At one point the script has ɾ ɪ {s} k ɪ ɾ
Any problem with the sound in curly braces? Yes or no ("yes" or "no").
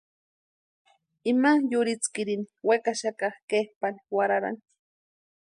yes